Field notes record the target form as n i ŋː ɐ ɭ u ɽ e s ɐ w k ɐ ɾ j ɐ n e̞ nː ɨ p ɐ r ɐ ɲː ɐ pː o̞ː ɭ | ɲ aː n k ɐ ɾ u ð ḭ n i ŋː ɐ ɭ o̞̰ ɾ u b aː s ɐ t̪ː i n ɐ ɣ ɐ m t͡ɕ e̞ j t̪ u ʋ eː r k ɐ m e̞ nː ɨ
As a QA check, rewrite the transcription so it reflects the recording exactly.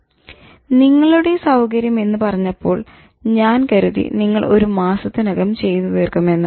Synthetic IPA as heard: n i ŋː ɐ ɭ u ɽ e s ɐ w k ɐ ɾ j ɐ m e̞ nː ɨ p ɐ r ɐ ɲː ɐ pː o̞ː ɭ | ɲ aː n k ɐ ɾ u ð ḭ n i ŋː ɐ ɭ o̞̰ ɾ u m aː s ɐ t̪ː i n ɐ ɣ ɐ m t͡ɕ e̞ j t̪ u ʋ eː r k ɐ m e̞ nː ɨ

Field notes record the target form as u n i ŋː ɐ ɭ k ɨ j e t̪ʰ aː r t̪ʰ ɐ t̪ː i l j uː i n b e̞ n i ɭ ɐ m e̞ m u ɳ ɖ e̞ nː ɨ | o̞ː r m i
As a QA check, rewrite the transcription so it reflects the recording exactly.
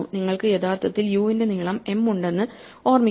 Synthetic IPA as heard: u n i ŋː ɐ ɭ k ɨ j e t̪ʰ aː r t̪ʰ ɐ t̪ː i l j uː i n d e̞ n i ɭ ɐ m e̞ m u ɳ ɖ e̞ nː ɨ | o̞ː r m i

